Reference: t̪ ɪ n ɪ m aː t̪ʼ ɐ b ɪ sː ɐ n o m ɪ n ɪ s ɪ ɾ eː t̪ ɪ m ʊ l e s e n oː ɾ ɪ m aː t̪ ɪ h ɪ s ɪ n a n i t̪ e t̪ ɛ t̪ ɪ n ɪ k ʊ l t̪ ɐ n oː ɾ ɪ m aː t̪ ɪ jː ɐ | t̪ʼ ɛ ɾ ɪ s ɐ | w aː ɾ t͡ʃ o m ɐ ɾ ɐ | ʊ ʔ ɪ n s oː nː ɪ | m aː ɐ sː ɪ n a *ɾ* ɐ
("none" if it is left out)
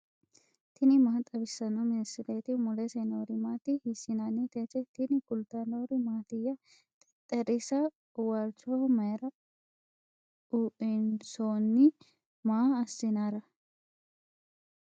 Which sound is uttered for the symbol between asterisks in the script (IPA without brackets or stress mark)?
ɾ